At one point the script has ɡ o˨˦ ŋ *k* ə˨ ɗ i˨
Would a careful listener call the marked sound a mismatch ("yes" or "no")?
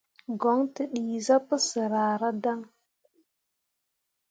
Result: yes